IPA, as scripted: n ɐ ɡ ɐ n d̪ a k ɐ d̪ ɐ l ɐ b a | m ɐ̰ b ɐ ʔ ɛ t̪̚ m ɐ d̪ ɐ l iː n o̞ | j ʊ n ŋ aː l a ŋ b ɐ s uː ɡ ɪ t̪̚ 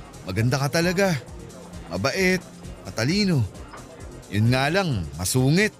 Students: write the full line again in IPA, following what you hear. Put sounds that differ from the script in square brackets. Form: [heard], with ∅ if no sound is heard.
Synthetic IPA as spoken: [m] ɐ ɡ ɐ n d̪ a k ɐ [t̪] ɐ l ɐ [ɡ] a | m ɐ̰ b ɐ ʔ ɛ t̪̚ m ɐ [t̪] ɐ l iː n o̞ | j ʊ n ŋ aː l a ŋ [m] ɐ s uː [ŋ] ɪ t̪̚